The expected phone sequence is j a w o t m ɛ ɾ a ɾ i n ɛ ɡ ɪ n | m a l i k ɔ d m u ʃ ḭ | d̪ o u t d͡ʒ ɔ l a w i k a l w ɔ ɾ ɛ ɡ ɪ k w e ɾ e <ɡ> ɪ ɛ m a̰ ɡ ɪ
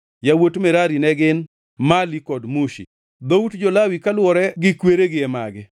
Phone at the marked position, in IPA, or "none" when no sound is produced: ɡ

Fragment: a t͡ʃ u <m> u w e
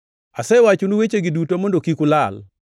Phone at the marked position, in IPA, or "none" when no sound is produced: n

